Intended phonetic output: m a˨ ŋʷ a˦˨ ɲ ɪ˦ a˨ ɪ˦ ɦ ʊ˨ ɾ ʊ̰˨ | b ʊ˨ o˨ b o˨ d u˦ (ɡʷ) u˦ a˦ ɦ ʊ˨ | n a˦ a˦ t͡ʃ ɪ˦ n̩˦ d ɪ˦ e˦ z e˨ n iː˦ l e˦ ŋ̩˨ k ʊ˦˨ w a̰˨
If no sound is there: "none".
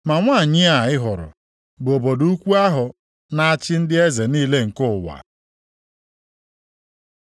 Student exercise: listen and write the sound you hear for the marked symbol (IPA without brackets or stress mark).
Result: kʷ